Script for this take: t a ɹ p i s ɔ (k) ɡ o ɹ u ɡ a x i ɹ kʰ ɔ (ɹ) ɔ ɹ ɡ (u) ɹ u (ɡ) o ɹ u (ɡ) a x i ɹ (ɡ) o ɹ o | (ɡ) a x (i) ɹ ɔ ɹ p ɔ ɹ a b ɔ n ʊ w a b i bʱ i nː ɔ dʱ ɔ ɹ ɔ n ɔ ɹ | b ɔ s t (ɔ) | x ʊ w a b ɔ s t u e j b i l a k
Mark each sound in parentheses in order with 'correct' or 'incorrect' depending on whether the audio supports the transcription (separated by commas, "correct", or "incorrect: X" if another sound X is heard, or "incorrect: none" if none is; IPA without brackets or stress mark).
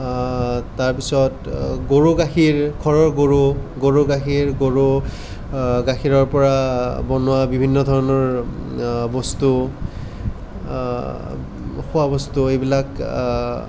incorrect: t, correct, incorrect: o, correct, correct, correct, correct, correct, incorrect: u